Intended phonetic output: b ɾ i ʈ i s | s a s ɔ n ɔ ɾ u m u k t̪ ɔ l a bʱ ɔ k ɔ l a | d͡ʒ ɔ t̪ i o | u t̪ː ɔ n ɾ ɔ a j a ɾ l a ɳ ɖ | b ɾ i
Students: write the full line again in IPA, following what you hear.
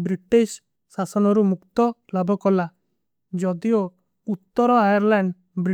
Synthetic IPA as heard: b ɾ i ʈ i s | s a s ɔ n ɔ ɾ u m u k t̪ ɔ l a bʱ ɔ k ɔ l a | d͡ʒ ɔ d̪ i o | u t̪ː ɔ ɾ ɔ a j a ɾ l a ɳ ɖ | b ɾ i

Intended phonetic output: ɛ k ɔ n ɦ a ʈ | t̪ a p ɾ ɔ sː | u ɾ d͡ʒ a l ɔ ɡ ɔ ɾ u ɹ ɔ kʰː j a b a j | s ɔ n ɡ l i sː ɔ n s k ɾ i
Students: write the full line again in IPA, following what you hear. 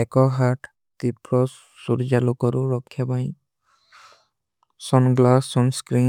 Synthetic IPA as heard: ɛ k ɔ ɦ a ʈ | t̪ i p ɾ ɔ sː | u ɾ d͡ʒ a l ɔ k ɔ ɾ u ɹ ɔ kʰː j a b a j | s ɔ n ɡ l a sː ɔ n s k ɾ i

